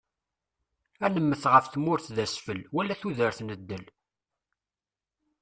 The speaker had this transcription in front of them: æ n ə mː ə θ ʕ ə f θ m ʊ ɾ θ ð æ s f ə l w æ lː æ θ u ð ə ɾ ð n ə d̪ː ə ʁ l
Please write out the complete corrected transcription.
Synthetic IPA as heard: æ n ə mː ə θ ʁ ə f θ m ʊ ɾ θ ð æ s f ə l w æ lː æ θ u ð ə ɾ θ n ə d̪ː ə l